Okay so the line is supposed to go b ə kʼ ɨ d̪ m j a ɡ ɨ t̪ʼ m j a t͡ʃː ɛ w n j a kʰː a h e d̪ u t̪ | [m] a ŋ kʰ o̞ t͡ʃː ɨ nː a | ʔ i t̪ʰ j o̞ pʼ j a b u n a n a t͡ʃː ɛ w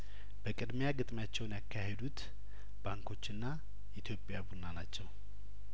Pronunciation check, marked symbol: incorrect: b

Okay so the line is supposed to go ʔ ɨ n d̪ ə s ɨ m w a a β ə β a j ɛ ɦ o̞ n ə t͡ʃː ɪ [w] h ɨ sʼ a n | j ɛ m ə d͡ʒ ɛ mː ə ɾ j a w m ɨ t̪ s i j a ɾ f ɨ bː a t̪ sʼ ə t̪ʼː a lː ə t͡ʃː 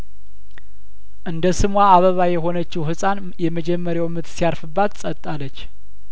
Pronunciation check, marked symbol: correct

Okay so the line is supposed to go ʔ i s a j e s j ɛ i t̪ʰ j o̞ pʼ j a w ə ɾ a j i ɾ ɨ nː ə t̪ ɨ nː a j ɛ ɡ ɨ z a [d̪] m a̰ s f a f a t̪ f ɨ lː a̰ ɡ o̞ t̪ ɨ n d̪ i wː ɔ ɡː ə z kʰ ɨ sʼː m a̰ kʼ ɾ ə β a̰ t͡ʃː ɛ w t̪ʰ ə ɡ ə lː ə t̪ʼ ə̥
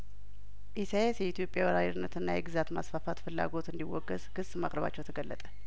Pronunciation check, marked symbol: incorrect: t̪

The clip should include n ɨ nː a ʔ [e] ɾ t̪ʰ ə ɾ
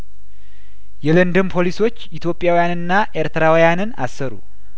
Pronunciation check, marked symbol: correct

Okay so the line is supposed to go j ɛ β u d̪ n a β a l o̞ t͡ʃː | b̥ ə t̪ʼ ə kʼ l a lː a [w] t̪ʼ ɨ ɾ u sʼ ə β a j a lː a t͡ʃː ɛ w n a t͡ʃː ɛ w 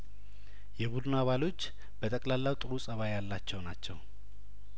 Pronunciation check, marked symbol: correct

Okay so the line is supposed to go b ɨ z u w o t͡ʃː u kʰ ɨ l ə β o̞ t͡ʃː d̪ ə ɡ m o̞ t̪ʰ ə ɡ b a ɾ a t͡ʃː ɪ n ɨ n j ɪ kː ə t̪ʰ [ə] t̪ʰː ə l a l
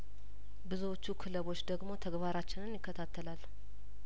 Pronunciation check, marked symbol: incorrect: a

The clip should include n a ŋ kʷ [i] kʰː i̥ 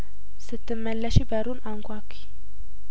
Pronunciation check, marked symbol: incorrect: a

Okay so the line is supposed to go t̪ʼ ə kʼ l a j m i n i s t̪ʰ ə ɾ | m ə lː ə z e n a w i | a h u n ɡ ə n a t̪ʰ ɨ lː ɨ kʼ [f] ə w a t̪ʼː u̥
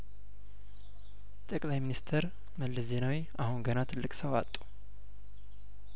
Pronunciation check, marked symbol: incorrect: s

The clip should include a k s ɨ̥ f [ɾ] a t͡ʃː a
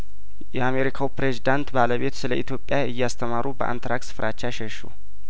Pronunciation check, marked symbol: correct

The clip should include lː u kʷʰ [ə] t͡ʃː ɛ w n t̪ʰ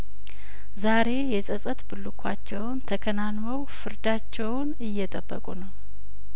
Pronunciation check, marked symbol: incorrect: a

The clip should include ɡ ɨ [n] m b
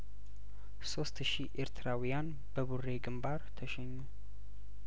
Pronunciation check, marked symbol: incorrect: none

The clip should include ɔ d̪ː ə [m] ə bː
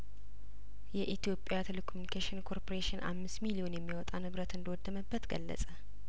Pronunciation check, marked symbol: correct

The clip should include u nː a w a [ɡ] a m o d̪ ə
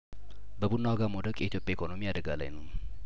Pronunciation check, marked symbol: correct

